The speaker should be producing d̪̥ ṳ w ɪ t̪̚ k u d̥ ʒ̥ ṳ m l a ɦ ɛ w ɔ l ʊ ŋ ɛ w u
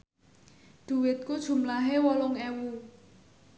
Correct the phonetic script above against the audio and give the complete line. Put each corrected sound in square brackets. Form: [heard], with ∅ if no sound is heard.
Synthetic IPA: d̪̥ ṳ w ɪ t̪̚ k u d̥ ʒ̥ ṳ m l a ɦ [e] w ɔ l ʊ ŋ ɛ w u